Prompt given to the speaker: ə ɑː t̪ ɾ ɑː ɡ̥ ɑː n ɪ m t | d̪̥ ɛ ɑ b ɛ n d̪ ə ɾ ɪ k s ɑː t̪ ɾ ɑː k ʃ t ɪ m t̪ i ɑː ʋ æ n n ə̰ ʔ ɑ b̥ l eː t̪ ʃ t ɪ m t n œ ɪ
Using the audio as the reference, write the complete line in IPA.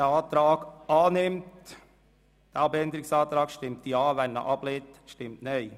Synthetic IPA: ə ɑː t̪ ɾ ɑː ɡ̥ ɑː n ɪ m t | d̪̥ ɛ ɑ b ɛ n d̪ ə ɾ ɪ k s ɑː t̪ ɾ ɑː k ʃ t ɪ m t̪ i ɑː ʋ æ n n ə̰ ʔ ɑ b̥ l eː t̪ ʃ t ɪ m t n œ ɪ